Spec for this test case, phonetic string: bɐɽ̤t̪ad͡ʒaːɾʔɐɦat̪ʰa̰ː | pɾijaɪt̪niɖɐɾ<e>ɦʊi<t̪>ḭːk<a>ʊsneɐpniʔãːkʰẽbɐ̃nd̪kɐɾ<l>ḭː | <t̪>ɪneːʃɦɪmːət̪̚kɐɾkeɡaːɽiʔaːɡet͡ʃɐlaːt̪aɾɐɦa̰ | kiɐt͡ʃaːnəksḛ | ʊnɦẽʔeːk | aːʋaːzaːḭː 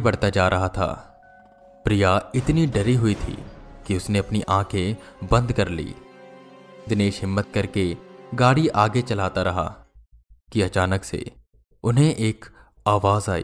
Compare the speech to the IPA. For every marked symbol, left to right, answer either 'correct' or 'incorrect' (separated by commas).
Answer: incorrect, incorrect, incorrect, correct, incorrect